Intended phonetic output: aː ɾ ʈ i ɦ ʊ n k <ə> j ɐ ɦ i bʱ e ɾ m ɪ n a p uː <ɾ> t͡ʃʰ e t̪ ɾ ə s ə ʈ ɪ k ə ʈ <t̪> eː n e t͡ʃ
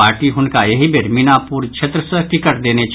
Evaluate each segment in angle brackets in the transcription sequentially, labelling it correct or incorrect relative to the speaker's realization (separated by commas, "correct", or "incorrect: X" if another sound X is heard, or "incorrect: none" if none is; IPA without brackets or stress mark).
incorrect: a, correct, incorrect: d̪